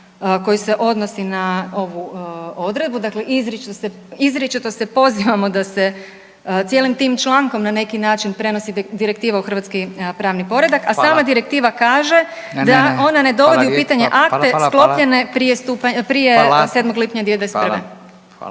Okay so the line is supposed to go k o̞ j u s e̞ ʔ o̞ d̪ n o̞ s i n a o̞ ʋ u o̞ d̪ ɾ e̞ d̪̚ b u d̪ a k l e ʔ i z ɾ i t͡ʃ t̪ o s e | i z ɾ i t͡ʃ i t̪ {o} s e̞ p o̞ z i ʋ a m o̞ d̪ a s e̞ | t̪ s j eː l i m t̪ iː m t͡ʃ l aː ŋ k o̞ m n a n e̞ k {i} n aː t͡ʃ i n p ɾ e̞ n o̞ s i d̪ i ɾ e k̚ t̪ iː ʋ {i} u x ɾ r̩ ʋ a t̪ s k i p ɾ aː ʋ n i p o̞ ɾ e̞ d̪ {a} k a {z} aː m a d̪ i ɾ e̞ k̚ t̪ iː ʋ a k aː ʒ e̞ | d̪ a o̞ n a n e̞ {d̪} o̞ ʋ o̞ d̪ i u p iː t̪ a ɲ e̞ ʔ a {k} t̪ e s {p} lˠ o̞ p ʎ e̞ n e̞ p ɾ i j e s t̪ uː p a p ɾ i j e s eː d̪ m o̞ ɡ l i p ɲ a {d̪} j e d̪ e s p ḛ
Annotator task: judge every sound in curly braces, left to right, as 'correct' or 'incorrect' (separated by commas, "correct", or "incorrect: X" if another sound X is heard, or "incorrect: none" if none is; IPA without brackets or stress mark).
correct, correct, incorrect: a, correct, incorrect: s, correct, correct, incorrect: k, correct